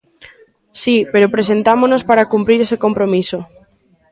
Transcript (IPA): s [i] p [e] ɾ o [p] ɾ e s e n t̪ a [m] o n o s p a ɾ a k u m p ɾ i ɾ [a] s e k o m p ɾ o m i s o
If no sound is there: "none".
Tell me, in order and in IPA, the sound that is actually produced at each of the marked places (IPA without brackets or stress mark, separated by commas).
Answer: i, e, p, m, e